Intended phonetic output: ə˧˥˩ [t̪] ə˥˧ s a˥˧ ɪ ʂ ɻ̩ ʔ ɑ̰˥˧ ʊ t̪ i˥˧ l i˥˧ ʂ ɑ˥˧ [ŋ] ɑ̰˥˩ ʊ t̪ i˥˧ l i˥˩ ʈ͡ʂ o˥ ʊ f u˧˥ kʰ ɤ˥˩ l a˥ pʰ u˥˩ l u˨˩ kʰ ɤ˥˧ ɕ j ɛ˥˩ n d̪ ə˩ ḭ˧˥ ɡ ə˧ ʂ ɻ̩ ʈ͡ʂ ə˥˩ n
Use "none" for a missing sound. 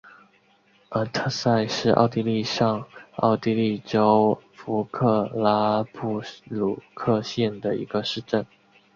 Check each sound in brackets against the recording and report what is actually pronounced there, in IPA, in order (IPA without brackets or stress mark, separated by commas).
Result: t̪ʰ, ŋ